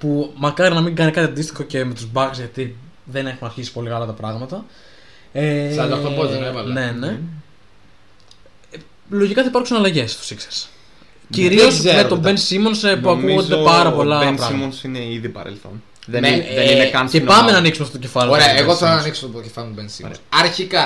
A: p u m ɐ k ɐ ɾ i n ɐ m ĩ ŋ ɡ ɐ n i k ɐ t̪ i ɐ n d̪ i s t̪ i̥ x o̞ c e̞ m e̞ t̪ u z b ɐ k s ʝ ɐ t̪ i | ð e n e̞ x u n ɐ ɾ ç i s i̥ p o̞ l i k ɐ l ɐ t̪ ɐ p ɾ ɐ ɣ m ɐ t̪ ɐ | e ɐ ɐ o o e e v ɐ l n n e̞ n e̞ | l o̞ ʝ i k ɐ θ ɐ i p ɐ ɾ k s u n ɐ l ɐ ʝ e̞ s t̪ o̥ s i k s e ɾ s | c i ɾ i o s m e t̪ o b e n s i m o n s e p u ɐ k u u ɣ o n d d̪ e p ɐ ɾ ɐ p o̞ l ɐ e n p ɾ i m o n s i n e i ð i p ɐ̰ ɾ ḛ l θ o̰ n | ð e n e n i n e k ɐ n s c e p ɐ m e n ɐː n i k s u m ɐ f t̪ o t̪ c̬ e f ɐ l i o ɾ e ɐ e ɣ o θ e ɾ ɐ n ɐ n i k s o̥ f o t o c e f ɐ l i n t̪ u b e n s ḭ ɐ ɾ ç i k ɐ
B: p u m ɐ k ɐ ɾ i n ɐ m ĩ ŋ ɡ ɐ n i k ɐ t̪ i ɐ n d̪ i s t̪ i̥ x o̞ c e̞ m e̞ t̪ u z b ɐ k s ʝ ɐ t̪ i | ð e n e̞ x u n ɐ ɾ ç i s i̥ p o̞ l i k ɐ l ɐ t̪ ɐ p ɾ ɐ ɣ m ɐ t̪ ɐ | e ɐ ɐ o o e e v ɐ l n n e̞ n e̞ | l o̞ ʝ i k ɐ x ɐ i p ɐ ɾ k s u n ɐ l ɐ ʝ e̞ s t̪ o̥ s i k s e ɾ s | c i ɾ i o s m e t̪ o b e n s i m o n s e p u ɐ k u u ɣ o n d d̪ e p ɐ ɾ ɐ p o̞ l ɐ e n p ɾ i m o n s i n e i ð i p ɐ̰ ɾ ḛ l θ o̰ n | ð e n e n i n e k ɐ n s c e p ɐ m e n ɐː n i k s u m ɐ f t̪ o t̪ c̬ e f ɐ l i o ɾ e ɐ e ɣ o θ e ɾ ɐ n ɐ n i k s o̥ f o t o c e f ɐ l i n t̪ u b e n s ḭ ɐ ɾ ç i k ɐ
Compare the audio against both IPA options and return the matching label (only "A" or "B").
A